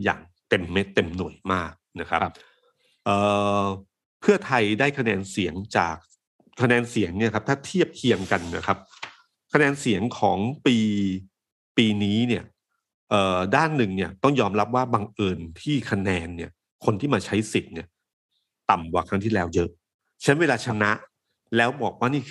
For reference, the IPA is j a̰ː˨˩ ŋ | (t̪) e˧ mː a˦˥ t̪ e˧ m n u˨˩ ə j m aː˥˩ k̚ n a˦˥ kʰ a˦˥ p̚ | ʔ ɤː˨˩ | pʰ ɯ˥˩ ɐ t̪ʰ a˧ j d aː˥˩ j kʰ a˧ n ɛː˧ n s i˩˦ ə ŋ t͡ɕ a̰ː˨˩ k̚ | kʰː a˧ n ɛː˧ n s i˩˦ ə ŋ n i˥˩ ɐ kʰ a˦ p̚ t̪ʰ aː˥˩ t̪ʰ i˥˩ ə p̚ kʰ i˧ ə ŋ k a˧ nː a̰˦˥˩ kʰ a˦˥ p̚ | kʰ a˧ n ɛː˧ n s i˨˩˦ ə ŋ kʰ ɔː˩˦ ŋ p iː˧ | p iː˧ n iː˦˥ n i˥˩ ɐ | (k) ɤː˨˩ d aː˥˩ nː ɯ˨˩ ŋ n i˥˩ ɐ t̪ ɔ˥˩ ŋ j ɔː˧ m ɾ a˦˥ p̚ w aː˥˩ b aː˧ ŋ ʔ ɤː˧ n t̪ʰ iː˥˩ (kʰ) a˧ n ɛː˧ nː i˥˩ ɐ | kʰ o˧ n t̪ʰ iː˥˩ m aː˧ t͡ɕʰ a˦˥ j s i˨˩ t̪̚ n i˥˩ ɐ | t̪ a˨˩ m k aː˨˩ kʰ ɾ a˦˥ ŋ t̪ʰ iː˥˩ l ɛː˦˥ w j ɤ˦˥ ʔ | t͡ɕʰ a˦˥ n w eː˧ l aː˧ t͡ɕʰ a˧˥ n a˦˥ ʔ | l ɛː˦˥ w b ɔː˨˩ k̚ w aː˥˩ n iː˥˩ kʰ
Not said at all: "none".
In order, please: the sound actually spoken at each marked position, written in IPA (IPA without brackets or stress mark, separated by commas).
t̪, ʔ, kʰ